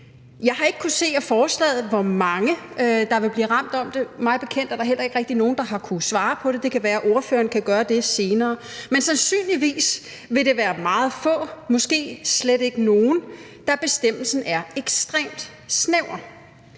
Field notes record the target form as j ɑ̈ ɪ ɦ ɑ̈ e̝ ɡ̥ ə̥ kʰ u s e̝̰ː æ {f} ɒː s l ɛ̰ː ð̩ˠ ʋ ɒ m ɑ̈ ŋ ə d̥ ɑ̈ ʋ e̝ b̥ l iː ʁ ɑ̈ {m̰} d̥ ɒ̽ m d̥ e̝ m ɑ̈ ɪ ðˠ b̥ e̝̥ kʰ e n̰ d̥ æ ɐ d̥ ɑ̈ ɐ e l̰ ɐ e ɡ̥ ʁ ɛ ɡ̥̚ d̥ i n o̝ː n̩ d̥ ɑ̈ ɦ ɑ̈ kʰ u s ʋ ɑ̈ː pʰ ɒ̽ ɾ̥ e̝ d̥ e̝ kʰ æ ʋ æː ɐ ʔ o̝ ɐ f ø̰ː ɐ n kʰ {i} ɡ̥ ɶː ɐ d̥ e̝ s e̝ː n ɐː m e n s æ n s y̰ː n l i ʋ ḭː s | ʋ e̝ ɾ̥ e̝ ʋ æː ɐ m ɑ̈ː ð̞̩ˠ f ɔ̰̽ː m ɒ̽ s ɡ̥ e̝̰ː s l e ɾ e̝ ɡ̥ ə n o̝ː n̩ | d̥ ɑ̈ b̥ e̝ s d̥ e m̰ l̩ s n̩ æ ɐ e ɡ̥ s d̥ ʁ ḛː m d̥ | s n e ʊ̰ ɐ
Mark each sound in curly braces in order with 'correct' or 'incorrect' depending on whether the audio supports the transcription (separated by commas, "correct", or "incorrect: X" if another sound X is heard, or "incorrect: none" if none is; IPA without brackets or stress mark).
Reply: correct, correct, incorrect: æ